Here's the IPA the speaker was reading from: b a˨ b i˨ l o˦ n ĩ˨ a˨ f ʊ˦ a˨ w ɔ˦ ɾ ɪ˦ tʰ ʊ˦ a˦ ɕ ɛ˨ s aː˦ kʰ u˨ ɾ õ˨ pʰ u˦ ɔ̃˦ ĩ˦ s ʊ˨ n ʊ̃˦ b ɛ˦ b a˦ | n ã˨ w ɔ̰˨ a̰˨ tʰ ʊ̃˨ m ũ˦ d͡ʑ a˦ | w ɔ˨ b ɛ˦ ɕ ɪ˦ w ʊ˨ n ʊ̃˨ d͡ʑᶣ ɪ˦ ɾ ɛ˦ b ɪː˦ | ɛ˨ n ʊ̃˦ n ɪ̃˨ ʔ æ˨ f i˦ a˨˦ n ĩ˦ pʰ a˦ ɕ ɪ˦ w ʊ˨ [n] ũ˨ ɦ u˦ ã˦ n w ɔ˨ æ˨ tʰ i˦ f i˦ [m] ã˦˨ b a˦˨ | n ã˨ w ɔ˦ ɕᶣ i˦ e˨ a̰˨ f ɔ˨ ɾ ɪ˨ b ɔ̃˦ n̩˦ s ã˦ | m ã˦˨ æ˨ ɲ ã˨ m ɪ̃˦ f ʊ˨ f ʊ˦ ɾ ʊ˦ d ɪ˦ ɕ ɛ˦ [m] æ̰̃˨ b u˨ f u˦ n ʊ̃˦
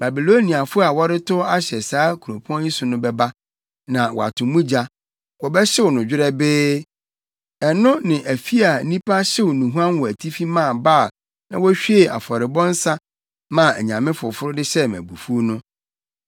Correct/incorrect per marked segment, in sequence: correct, correct, correct

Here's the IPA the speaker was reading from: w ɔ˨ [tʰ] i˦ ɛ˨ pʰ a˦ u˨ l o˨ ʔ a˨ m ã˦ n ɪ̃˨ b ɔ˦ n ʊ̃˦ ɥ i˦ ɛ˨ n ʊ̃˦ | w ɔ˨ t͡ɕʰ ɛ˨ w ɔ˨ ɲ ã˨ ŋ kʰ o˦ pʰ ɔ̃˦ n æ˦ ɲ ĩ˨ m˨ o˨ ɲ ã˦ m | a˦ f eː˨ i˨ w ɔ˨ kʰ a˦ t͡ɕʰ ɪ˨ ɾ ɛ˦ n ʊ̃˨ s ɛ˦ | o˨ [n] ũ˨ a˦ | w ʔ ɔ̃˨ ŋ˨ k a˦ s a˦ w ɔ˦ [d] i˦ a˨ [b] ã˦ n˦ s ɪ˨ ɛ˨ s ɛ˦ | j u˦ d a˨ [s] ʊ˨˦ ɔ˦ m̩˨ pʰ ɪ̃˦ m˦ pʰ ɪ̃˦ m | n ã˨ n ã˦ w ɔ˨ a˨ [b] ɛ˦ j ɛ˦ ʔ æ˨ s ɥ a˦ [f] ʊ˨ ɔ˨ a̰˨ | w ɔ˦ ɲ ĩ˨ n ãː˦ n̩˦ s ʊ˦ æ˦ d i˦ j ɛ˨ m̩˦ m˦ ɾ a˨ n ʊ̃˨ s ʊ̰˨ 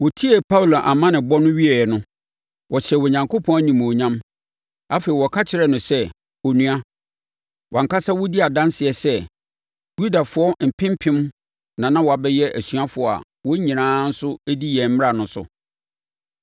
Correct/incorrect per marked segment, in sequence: correct, correct, correct, incorrect, incorrect, correct, correct

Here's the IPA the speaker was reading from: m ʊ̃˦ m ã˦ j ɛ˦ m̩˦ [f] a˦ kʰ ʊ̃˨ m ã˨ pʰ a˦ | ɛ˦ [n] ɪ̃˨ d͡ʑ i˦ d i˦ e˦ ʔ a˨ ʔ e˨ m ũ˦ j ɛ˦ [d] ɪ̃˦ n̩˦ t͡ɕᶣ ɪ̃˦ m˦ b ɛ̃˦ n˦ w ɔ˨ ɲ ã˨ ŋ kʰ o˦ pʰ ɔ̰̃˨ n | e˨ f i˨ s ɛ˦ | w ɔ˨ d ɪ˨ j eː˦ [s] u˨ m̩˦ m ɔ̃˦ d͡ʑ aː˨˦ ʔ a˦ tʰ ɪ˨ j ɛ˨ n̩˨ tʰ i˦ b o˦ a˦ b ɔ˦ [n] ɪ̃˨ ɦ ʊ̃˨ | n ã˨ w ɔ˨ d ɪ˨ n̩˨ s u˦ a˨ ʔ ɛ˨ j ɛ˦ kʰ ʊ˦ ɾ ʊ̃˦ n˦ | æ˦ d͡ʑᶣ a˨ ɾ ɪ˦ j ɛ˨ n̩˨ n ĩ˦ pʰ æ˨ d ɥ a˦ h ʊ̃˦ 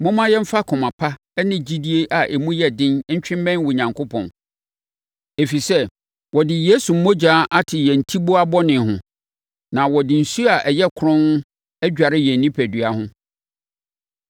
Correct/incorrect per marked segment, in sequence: correct, correct, correct, correct, correct

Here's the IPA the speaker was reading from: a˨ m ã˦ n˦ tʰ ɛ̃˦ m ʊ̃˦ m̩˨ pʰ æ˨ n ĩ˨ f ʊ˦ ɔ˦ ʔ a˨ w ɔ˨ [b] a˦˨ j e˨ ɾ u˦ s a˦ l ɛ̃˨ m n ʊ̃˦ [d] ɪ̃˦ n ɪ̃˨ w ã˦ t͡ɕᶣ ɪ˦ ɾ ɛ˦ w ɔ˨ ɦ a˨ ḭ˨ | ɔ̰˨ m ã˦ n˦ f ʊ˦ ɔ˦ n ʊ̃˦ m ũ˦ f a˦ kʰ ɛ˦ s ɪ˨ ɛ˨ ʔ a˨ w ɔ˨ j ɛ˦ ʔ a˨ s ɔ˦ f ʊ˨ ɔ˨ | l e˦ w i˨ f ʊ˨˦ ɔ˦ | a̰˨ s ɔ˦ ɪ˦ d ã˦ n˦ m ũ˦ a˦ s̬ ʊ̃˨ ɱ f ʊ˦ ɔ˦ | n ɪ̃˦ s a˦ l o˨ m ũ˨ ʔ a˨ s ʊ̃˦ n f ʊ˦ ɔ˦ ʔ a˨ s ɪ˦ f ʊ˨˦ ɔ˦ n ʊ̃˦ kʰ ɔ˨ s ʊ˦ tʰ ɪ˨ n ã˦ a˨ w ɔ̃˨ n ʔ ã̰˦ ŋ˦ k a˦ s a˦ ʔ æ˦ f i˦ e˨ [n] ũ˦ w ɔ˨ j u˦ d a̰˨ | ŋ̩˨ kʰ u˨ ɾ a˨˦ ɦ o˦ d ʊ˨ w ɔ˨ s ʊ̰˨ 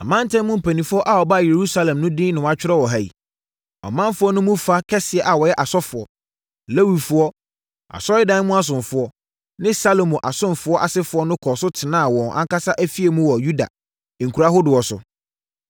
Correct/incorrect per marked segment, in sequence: correct, correct, incorrect

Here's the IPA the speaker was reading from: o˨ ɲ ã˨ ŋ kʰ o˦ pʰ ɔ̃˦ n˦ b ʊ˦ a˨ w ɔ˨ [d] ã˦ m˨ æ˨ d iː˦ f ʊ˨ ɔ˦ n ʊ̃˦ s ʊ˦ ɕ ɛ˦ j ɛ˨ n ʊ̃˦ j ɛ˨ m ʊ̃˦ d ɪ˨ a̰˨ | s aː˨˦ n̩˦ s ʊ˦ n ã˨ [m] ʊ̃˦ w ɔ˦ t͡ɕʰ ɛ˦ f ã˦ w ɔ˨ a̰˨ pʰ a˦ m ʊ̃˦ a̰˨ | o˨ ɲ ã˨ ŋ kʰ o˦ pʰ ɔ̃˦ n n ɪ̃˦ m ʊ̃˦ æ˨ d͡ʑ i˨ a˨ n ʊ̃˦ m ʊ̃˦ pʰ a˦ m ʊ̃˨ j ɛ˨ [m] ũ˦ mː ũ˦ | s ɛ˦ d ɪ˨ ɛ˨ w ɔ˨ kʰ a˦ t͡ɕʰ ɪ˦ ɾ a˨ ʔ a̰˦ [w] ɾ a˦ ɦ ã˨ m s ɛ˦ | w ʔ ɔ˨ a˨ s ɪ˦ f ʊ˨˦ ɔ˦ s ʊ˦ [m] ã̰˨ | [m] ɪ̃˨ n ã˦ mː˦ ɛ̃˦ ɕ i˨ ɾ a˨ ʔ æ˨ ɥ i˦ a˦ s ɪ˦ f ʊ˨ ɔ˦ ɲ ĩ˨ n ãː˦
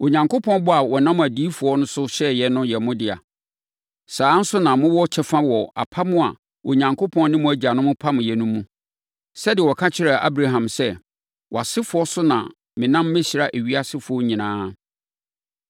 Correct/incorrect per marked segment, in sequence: incorrect, correct, incorrect, incorrect, incorrect, correct

